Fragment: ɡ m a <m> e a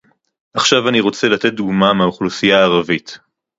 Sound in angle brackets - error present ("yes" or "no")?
no